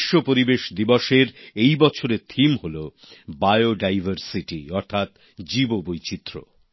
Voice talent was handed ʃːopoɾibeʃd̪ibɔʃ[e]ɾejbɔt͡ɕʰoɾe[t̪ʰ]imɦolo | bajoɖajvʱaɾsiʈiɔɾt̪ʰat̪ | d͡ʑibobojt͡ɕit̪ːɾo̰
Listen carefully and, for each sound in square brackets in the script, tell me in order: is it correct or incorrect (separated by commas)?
correct, correct